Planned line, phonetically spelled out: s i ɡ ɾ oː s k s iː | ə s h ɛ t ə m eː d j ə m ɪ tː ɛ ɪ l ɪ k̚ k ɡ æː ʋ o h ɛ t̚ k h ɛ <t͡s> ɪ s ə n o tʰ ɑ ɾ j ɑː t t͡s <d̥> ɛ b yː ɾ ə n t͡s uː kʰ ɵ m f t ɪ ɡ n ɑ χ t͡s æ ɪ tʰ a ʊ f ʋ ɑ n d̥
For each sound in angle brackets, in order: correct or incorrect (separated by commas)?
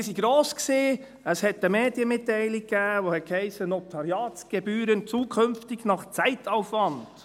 incorrect, incorrect